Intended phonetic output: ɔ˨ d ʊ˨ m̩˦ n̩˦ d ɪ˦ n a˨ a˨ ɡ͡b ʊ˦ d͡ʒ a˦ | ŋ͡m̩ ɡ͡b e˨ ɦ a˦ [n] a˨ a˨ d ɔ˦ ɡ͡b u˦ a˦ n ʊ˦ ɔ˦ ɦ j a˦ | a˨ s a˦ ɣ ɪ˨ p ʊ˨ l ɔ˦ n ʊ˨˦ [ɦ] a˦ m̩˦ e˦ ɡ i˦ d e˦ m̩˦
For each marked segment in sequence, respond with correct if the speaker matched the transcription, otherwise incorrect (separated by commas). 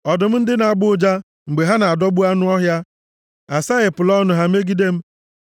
correct, correct